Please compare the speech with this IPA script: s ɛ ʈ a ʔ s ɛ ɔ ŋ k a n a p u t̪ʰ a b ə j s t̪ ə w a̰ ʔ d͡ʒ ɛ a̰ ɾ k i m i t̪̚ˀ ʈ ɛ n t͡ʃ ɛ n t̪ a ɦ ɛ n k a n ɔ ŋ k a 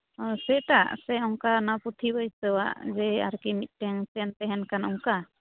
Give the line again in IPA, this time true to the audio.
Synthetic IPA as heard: s ɛ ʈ a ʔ s ɛ ɔ ŋ k a n a p u t̪ʰ i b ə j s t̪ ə w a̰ ʔ d͡ʒ ɛ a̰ ɾ k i m i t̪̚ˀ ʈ ɛ ŋ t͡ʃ ɛ n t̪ ɛ ɦ ɛ n k a n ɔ ŋ k a